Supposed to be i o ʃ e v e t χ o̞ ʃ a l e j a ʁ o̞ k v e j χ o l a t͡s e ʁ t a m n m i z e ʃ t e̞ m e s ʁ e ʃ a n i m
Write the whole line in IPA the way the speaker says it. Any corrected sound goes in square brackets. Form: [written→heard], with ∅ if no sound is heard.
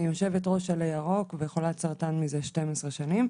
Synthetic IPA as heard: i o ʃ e v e t [χ→ʁ] o̞ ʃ a l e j a ʁ o̞ k v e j χ o l a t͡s [e→a] ʁ t a [m→∅] n m i z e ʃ t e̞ m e s ʁ e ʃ a n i m